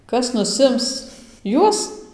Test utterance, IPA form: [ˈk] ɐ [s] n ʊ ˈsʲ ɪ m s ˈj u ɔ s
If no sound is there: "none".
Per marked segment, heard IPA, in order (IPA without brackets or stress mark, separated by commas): k, s